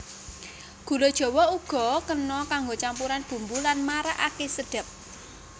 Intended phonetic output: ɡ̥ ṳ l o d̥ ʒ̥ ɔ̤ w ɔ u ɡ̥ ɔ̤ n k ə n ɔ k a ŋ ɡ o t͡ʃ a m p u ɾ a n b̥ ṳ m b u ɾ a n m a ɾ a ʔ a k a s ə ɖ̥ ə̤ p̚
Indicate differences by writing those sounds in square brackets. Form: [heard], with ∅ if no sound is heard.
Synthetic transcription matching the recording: ɡ̥ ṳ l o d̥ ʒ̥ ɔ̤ w ɔ u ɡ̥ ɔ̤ [∅] k ə n ɔ k a ŋ ɡ o t͡ʃ a m p u ɾ a n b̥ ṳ m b u [l] a n m a ɾ a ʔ a k [e] s ə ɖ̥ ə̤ p̚